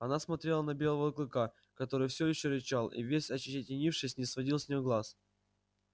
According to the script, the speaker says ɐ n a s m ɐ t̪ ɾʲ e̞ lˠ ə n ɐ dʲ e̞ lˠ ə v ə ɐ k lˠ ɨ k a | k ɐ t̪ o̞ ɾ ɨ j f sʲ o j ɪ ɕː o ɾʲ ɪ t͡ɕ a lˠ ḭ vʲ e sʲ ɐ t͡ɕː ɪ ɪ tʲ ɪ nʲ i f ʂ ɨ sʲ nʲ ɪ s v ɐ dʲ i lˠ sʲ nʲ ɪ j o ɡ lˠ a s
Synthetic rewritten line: ɐ n a s m ɐ t̪ ɾʲ e̞ lˠ ə n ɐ bʲ e̞ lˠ ə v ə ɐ k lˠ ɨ k a | k ɐ t̪ o̞ ɾ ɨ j f sʲ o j ɪ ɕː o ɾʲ ɪ t͡ɕ a lˠ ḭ vʲ e sʲ ɐ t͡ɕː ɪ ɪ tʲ ɪ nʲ i f ʂ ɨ sʲ nʲ ɪ s v ɐ dʲ i lˠ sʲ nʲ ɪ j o ɡ lˠ a s

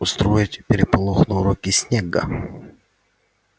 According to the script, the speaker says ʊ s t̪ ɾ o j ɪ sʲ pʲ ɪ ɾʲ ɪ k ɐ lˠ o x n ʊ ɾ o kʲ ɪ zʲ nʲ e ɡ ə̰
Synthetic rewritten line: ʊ s t̪ ɾ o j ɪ tʲ pʲ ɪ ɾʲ ɪ p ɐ lˠ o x n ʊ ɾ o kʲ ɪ sʲ nʲ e ɡ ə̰

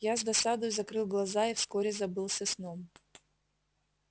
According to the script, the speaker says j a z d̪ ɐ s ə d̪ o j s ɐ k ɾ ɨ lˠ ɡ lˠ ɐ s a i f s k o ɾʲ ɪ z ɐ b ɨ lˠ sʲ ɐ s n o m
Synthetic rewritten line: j a z d̪ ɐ s a d̪ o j z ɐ k ɾ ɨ lˠ ɡ lˠ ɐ z a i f s k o ɾʲ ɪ z ɐ b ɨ lˠ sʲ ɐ s n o m

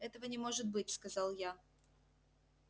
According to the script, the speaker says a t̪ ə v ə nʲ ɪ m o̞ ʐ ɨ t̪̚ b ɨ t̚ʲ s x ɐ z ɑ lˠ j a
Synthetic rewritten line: ɛ t̪ ə v ə nʲ ɪ m o̞ ʐ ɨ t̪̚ b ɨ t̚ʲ s k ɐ z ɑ lˠ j a

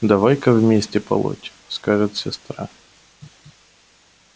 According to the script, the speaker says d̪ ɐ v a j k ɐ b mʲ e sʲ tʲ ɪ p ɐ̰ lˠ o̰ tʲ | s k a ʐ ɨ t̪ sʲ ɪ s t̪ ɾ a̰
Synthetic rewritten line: d̪ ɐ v a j k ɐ v mʲ e sʲ tʲ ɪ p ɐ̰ lˠ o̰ tʲ | s k a ʐ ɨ t̪ sʲ ɪ s t̪ ɾ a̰

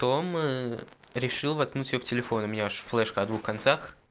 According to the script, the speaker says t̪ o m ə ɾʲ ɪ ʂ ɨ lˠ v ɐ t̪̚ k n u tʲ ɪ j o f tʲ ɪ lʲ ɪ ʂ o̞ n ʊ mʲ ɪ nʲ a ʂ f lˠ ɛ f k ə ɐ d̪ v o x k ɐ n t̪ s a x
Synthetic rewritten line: t̪ o m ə ɾʲ ɪ ʂ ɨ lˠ v ɐ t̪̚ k n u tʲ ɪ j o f tʲ ɪ lʲ ɪ f o̞ n ʊ mʲ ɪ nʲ a ʂ f lˠ ɛ ʂ k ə ɐ d̪ v u x k ɐ n t̪ s a x

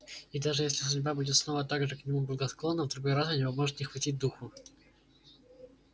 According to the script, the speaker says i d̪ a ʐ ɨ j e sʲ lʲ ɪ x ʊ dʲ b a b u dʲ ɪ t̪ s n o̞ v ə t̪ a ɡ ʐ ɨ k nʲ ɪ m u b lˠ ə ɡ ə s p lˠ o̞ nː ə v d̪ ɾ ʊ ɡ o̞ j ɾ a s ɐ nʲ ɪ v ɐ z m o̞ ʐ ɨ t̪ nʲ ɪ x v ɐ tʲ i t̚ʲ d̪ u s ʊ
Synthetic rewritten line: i d̪ a ʐ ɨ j e sʲ lʲ ɪ s ʊ dʲ b a b u dʲ ɪ t̪ s n o̞ v ə t̪ a ɡ ʐ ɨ k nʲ ɪ m u b lˠ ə ɡ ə s k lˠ o̞ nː ə v d̪ ɾ ʊ ɡ o̞ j ɾ a s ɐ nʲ ɪ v ɐ z m o̞ ʐ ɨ t̪ nʲ ɪ x v ɐ tʲ i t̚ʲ d̪ u x ʊ

